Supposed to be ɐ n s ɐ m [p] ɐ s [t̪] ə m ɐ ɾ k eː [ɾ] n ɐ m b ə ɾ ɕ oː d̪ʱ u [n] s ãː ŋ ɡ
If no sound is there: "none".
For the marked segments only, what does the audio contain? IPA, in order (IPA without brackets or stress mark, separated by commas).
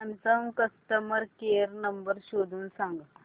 k, t̪, ɾ, n